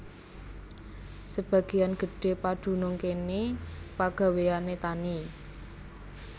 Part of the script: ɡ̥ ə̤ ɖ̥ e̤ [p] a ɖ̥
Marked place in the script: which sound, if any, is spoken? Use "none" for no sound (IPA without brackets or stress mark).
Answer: p